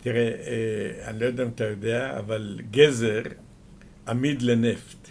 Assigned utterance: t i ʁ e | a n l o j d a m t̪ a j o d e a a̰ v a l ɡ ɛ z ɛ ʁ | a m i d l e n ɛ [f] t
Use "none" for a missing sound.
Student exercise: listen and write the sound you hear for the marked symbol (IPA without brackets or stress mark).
f